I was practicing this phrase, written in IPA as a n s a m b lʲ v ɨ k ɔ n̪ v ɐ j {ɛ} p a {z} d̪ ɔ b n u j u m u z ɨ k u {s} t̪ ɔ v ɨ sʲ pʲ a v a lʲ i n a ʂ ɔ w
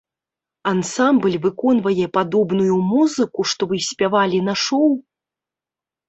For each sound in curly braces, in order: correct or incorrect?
correct, incorrect: none, incorrect: ʂ

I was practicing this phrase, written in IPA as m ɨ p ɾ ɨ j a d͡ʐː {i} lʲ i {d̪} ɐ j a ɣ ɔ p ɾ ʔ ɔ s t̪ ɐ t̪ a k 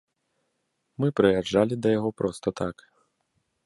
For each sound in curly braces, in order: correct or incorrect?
incorrect: a, correct

